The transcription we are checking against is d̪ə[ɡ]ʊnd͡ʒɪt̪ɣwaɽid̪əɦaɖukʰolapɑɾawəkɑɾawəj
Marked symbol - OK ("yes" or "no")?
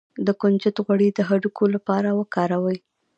no